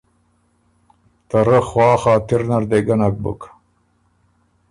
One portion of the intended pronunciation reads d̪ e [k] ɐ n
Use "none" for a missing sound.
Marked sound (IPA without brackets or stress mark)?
ɡ